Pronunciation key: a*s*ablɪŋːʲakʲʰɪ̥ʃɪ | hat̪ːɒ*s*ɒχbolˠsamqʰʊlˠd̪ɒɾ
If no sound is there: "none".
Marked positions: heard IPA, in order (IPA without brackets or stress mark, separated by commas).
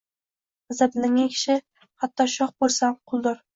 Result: z, ʃ